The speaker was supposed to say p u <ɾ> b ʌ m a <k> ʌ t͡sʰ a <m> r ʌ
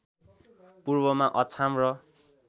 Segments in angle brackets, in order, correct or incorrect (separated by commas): incorrect, incorrect, correct